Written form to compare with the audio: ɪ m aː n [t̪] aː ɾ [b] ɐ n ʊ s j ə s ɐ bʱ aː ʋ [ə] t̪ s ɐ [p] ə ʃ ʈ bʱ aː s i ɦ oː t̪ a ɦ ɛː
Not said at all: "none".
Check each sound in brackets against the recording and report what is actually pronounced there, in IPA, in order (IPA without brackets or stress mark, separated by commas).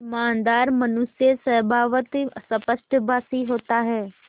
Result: d̪, m, ə, p